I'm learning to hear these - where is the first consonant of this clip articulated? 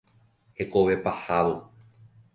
throat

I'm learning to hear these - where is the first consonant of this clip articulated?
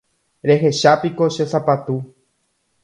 tongue tip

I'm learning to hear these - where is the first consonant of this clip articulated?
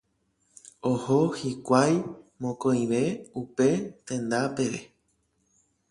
throat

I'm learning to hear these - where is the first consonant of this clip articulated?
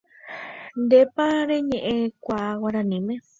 tongue tip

